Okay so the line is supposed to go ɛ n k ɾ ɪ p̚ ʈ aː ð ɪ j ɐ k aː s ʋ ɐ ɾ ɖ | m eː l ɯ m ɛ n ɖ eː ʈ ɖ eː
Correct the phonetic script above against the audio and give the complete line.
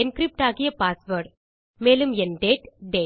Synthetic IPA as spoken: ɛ n k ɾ ɪ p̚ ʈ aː ɣ ɪ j ɐ p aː s ʋ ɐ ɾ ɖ | m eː l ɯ m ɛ n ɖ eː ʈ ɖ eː